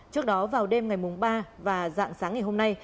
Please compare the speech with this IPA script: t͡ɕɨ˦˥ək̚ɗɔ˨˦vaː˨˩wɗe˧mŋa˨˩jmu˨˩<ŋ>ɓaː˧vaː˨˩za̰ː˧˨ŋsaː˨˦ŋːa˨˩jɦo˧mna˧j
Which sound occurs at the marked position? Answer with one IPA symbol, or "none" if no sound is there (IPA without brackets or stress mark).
ŋ͡m